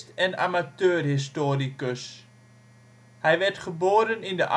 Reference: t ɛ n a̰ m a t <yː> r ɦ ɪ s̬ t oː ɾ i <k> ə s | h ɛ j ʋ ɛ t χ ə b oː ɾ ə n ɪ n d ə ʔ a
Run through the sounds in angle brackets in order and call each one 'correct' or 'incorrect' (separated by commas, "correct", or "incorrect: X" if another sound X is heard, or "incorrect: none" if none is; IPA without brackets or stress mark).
incorrect: øː, correct